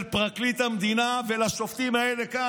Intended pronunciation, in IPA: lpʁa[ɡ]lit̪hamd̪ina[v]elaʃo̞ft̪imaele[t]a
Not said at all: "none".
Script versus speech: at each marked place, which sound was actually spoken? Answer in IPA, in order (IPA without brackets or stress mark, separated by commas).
k, v, k